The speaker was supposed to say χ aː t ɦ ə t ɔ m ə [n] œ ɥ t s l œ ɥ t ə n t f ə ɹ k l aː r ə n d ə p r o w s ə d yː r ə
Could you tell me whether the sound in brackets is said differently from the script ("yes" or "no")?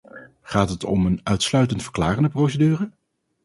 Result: no